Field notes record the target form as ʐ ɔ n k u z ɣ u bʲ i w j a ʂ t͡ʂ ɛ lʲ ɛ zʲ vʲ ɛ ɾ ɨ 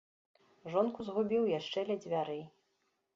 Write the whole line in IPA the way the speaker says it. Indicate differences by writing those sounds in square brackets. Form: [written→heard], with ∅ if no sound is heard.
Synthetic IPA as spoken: ʐ ɔ n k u z ɣ u bʲ i w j a ʂ t͡ʂ ɛ lʲ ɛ [zʲ→d͡zʲ] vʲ [ɛ→a] ɾ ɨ